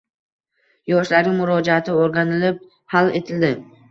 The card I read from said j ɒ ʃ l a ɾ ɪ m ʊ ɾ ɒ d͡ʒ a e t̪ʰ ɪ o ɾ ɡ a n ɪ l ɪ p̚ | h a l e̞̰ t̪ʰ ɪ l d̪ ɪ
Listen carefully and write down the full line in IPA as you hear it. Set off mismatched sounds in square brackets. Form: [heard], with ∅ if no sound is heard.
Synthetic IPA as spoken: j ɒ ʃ l a ɾ ɪ m ʊ ɾ ɒ d͡ʒ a [a] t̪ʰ ɪ o ɾ ɡ a n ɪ l ɪ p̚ | h a l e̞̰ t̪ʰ ɪ l d̪ ɪ

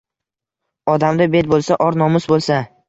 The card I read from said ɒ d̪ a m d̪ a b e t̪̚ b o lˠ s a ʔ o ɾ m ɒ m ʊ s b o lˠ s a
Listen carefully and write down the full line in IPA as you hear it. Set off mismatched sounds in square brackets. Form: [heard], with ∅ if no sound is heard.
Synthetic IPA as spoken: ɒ d̪ a m d̪ a b e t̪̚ b o lˠ s a ʔ [ɒ] ɾ [n] ɒ m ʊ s b o lˠ s a

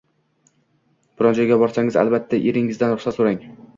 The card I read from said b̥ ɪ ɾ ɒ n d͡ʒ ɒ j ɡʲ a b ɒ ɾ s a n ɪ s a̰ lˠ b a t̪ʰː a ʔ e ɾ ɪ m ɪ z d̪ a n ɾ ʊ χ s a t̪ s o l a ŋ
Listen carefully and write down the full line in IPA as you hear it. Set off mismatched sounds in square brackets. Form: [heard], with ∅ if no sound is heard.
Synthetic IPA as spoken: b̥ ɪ ɾ ɒ n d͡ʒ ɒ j ɡʲ a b ɒ ɾ s a [ŋ] ɪ [z] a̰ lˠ b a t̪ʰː a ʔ e ɾ ɪ [ŋ] ɪ z d̪ a n ɾ ʊ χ s a t̪ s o [ɾ] a ŋ

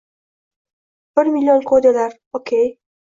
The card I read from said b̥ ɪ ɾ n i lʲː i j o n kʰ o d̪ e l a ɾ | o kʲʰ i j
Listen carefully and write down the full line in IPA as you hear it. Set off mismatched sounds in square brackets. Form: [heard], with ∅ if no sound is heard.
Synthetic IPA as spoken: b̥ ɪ ɾ [m] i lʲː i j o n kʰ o d̪ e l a ɾ | o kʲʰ [e] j

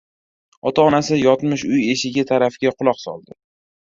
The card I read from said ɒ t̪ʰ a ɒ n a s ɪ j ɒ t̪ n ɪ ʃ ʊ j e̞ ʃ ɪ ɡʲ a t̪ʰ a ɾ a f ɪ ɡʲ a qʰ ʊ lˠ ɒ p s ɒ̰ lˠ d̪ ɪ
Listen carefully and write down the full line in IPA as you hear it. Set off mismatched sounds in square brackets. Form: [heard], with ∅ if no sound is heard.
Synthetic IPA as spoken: ɒ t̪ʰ a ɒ n a s ɪ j ɒ t̪ [m] ɪ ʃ ʊ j e̞ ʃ ɪ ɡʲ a t̪ʰ a ɾ a f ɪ ɡʲ a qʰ ʊ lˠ ɒ [q] s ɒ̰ lˠ d̪ ɪ

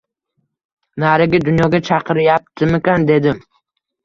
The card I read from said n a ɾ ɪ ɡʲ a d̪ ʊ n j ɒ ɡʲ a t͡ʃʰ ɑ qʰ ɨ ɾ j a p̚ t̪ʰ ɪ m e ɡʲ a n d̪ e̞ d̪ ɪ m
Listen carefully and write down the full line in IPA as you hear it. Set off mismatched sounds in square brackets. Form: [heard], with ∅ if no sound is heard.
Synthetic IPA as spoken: n a ɾ ɪ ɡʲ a d̪ ʊ n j ɒ ɡʲ a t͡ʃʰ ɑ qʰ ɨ ɾ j a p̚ t̪ʰ ɪ m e [kʲ] a n d̪ e̞ d̪ ɪ m

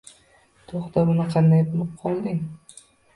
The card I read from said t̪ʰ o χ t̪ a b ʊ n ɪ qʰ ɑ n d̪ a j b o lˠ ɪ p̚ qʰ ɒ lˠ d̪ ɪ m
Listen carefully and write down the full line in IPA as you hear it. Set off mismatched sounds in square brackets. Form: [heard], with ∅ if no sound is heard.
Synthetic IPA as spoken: t̪ʰ o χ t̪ a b ʊ n ɪ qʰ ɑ n d̪ a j b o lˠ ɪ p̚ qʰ ɒ lˠ d̪ ɪ [ŋ]

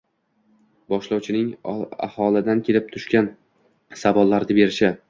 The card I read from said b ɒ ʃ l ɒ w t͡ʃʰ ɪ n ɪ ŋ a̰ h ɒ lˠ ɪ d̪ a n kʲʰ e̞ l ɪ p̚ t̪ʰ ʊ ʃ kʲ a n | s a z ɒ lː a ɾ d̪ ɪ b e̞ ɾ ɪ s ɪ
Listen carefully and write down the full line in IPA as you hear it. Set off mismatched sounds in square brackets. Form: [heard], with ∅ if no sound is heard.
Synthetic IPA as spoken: b ɒ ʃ l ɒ w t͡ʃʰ ɪ n ɪ ŋ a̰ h ɒ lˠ ɪ d̪ a n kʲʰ e̞ l ɪ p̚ t̪ʰ ʊ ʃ kʲ a n | s a [v] ɒ lː a ɾ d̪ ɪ b e̞ ɾ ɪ [ʃ] ɪ

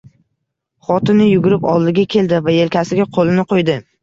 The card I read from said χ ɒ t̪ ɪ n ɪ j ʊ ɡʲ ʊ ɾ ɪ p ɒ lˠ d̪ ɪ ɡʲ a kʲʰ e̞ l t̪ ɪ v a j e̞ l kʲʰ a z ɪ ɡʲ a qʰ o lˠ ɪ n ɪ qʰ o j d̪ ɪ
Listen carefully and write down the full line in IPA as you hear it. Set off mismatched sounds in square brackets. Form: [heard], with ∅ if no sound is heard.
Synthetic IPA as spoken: χ ɒ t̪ ɪ n ɪ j ʊ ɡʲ ʊ ɾ ɪ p ɒ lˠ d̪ ɪ ɡʲ a kʲʰ e̞ l [d̪] ɪ v a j e̞ l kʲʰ a [s] ɪ ɡʲ a qʰ o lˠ ɪ n ɪ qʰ o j d̪ ɪ

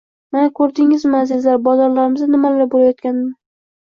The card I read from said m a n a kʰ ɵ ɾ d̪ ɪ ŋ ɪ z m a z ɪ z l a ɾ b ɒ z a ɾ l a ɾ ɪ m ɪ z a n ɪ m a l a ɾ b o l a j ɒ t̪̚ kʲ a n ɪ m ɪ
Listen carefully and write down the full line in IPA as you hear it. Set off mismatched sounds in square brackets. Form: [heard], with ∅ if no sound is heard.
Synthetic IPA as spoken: m a n a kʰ ɵ ɾ d̪ ɪ ŋ ɪ z m a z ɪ z l a ɾ b ɒ z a ɾ l a ɾ ɪ m ɪ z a n ɪ m a l a ɾ b o l a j ɒ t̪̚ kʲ a n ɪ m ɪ

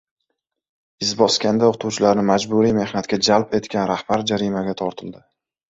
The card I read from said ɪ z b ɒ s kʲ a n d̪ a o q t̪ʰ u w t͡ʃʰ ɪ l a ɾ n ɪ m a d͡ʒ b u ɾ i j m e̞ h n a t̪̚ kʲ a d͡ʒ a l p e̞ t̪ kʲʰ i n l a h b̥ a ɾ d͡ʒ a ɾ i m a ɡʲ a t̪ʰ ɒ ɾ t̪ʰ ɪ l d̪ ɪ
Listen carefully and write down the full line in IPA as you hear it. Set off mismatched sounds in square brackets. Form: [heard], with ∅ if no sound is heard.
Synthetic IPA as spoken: ɪ z b ɒ s kʲ a n d̪ a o q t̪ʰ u w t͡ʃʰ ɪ l a ɾ n ɪ m a d͡ʒ b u ɾ i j m e̞ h n a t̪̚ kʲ a d͡ʒ a l p e̞ t̪ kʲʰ [a] n [ɾ] a h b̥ a ɾ d͡ʒ a ɾ i m a ɡʲ a t̪ʰ ɒ ɾ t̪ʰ ɪ l d̪ ɪ

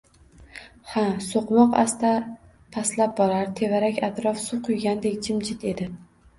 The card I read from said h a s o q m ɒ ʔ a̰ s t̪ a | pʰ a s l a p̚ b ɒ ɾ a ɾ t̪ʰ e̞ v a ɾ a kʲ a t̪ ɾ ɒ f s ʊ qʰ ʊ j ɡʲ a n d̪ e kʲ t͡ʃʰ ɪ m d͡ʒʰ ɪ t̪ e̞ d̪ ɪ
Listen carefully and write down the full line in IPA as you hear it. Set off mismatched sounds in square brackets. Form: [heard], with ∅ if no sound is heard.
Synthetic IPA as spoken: h a s o q m ɒ [q] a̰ s t̪ a | pʰ a s l a p̚ b ɒ ɾ a ɾ t̪ʰ e̞ v a ɾ a kʲ a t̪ ɾ ɒ f s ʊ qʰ ʊ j ɡʲ a n d̪ e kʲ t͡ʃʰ ɪ m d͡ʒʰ ɪ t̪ e̞ d̪ ɪ

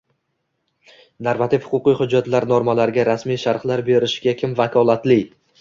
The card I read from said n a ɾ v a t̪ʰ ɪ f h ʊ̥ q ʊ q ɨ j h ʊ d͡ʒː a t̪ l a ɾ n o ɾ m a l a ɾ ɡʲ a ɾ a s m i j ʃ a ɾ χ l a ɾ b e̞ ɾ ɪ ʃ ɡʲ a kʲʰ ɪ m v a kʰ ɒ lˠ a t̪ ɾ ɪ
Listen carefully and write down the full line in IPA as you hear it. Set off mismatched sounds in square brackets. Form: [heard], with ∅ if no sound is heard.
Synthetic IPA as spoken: n a ɾ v a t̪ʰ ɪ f h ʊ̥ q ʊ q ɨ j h ʊ d͡ʒː a t̪ l a ɾ n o ɾ m a l a ɾ ɡʲ a ɾ a s m i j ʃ a ɾ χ l a ɾ b e̞ ɾ ɪ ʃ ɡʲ a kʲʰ ɪ m v a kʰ ɒ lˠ a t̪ [l] ɪ

